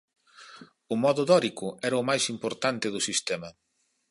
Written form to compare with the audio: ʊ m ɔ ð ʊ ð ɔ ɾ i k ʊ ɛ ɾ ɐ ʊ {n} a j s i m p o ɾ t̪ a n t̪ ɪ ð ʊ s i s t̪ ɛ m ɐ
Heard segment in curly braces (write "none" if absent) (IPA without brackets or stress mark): m